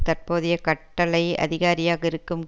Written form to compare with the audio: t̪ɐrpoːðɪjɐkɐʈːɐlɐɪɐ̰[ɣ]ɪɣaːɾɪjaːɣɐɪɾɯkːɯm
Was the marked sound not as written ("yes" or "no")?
yes